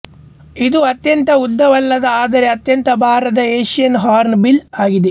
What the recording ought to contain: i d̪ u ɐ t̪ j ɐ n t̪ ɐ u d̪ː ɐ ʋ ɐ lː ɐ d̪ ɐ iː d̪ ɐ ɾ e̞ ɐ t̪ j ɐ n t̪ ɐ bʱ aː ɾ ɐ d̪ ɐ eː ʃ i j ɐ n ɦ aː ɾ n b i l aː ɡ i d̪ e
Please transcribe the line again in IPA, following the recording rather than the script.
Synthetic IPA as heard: i d̪ u ɐ t̪ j ɐ n t̪ ɐ u d̪ː ɐ ʋ ɐ lː ɐ d̪ ɐ aː d̪ ɐ ɾ e̞ ɐ t̪ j ɐ n t̪ ɐ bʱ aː ɾ ɐ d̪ ɐ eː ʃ i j ɐ n ɦ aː ɾ n b i l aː ɡ i d̪ e

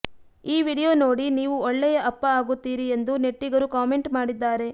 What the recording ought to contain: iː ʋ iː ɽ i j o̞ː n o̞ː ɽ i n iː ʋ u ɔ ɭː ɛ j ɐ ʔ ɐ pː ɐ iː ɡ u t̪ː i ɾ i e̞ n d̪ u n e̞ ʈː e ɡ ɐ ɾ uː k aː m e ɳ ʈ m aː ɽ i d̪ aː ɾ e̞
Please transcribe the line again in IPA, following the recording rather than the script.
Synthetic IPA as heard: iː ʋ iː ɽ i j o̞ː n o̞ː ɽ i n iː ʋ u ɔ ɭː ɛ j ɐ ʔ ɐ pː ɐ aː ɡ u t̪ː iː ɾ i e̞ n d̪ u n e̞ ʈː i ɡ ɐ ɾ u k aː m e ɳ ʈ m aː ɽ i d̪ː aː ɾ e̞

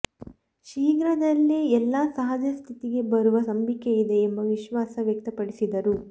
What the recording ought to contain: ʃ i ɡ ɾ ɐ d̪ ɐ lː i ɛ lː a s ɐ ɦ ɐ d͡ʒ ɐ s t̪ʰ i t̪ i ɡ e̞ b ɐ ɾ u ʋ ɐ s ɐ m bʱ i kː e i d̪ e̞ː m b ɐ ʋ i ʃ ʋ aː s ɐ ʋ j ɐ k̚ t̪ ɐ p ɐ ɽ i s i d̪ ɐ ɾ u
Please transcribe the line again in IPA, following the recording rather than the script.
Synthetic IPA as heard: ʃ iː ɡ ɾ ɐ d̪ ɐ lː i ɛ lː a s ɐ ɦ ɐ d͡ʒ ɐ s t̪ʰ i t̪ i ɡ e̞ b ɐ ɾ u ʋ ɐ s ɐ m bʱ i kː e i d̪ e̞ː m b ɐ ʋ i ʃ ʋ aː s ɐ ʋ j ɐ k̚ t̪ ɐ p ɐ ɽ i s i d̪ ɐ ɾ u

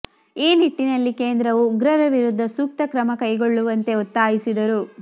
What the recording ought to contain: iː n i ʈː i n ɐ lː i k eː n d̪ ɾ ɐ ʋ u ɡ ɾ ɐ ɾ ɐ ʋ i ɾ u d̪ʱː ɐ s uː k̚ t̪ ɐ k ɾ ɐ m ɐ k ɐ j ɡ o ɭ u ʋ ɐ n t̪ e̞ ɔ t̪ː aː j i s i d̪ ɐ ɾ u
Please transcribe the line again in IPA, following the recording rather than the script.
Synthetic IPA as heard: iː n i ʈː i n ɐ lː i k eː n d̪ ɾ ɐ ʋ u ɡ ɾ ɐ ɾ ɐ ʋ i ɾ u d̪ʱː ɐ s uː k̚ t̪ ɐ k ɾ ɐ m ɐ k ɐ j ɡ o ɭː u ʋ ɐ n t̪ e̞ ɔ t̪ː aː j i s i d̪ ɐ ɾ u

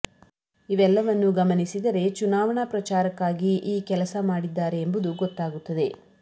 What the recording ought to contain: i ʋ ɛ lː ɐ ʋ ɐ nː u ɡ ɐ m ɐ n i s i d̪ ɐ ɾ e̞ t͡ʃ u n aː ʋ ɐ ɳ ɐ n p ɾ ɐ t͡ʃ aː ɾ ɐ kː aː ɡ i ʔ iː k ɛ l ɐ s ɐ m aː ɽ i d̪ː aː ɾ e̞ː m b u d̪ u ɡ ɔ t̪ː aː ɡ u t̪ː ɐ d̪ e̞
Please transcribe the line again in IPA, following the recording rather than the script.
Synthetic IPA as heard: i ʋ ɛ lː ɐ ʋ ɐ nː u ɡ ɐ m ɐ n i s i d̪ ɐ ɾ e̞ t͡ʃ u n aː ʋ ɐ ɳ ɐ p ɾ ɐ t͡ʃ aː ɾ ɐ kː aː ɡ i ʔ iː k ɛ l ɐ s ɐ m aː ɽ i d̪ː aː ɾ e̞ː m b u d̪ u ɡ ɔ t̪ː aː ɡ u t̪ː ɐ d̪ e̞

